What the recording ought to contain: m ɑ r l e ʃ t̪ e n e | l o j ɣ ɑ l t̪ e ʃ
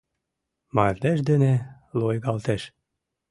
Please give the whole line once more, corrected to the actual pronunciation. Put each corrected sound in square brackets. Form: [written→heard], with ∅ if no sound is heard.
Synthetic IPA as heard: m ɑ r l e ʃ [t̪→d̪] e n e | l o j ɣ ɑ l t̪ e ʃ